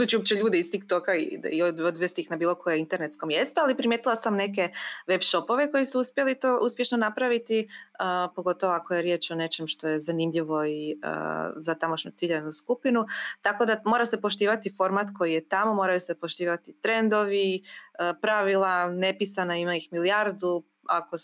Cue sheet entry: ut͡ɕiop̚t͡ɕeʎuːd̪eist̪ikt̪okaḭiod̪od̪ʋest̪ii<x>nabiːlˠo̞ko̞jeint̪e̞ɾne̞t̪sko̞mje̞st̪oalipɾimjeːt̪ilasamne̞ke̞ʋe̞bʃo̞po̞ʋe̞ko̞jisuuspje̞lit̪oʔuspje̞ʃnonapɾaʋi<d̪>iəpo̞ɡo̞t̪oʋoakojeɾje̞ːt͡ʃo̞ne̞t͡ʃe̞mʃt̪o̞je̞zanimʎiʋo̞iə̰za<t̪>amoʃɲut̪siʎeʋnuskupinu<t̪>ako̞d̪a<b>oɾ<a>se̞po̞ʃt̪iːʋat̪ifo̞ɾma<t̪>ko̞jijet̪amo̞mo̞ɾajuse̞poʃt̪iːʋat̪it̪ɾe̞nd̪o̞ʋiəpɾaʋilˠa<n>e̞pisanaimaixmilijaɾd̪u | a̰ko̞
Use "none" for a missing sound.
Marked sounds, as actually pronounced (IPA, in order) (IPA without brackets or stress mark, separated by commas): x, t̪, t̪, t̪, m, a, t̪, n